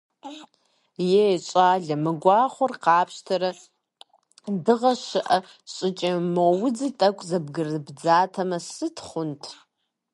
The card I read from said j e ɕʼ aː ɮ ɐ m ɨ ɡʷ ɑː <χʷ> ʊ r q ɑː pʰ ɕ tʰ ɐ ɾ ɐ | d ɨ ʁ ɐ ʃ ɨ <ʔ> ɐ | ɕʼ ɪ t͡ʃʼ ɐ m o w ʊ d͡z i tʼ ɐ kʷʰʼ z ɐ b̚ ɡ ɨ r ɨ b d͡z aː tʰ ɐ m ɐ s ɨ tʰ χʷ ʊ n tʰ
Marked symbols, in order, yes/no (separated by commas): yes, yes